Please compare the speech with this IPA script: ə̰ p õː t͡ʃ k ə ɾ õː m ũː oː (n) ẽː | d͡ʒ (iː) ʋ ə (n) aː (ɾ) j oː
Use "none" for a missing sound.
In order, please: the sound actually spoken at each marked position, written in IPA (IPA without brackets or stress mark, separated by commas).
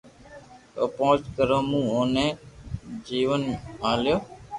n, iː, n, l